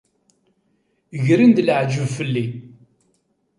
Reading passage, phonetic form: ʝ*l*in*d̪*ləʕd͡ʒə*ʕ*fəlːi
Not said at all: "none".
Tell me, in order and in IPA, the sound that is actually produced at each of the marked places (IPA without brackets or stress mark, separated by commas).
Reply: ɾ, d̪, v